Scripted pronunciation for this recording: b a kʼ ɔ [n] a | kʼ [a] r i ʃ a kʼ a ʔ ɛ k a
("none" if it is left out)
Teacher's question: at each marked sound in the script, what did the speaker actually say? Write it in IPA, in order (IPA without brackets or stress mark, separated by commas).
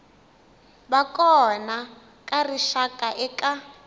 n, a